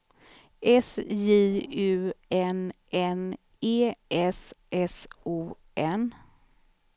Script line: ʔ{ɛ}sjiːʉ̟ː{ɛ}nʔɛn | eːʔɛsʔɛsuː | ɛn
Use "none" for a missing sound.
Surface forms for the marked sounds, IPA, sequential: ɛ, ɛ

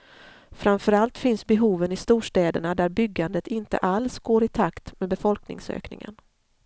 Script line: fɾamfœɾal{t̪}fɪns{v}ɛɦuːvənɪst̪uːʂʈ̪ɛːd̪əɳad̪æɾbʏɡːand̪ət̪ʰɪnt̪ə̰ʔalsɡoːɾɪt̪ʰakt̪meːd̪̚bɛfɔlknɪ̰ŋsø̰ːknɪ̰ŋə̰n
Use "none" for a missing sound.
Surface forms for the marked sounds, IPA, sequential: t̪, b

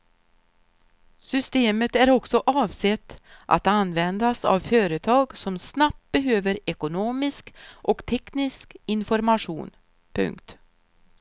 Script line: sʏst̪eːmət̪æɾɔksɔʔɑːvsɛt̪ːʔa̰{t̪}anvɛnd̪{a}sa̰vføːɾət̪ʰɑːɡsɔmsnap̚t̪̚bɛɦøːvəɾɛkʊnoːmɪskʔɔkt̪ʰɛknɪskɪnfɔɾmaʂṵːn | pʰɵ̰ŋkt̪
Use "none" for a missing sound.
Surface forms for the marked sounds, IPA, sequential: t̪, a

